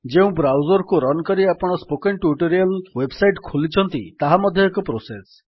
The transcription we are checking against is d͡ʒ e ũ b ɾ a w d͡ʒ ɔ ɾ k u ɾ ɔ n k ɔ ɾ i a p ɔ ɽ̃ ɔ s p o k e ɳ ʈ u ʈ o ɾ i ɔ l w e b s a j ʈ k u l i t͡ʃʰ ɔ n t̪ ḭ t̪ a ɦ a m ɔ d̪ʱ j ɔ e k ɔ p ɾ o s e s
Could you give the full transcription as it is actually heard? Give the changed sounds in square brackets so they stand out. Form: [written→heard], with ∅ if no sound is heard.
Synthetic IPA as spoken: d͡ʒ e ũ b ɾ a w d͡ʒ ɔ ɾ k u ɾ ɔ n k ɔ ɾ i a p ɔ ɽ̃ ɔ s p o k e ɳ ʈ u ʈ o ɾ i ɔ l w e b s a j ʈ [k→kʰ] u l i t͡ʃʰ ɔ n t̪ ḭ t̪ a ɦ a m ɔ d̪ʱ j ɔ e k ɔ p ɾ o s e s